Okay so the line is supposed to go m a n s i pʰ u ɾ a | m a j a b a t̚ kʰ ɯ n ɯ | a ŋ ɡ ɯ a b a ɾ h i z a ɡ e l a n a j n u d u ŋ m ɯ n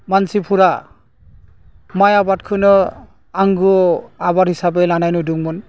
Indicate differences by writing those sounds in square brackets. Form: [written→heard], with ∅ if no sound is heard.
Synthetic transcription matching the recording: m a n s i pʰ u ɾ a | m a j a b a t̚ kʰ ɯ n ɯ | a ŋ ɡ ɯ a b a ɾ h i [z→s] a [ɡ→b] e l a n a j n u d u ŋ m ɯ n